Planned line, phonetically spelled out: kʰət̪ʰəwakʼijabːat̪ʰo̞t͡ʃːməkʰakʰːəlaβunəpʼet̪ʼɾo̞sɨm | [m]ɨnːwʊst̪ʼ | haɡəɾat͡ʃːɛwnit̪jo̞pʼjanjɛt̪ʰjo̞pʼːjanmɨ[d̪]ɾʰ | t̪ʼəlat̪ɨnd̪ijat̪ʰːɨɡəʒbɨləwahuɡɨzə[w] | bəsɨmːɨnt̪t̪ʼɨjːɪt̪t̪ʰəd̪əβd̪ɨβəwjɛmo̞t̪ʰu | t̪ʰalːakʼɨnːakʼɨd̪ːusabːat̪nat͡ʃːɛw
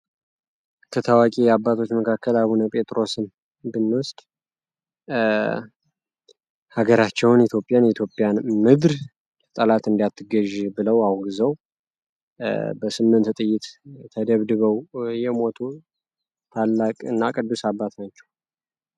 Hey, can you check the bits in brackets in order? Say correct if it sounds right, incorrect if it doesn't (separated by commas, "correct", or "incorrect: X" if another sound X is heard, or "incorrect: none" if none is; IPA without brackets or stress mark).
incorrect: b, correct, correct